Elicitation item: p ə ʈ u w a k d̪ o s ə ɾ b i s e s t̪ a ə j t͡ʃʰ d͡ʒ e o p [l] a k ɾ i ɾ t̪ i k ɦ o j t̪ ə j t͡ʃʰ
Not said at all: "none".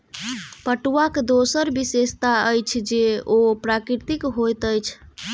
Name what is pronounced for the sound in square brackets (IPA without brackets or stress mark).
ɾ